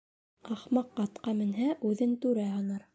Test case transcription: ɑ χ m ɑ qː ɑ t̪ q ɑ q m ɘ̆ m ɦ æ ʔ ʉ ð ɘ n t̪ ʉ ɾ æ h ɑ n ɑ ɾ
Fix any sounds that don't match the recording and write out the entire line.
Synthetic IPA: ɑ χ m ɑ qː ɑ t̪ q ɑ m ɘ̆ n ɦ æ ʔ ʉ ð ɘ n t̪ ʉ ɾ æ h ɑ n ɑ ɾ